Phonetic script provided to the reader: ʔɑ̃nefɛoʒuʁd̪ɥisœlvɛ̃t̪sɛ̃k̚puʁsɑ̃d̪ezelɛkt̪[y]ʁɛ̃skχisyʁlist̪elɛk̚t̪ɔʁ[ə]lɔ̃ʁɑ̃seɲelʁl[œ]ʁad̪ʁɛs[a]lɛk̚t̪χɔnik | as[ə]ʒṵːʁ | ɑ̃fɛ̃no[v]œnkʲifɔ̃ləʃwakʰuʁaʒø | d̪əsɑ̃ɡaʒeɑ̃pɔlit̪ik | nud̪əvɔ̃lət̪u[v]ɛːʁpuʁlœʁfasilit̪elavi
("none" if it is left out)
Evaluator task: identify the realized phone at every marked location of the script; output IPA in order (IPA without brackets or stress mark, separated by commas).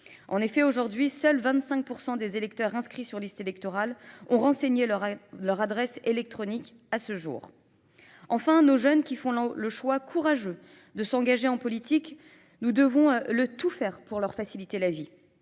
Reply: œ, a, œ, e, ə, ʒ, f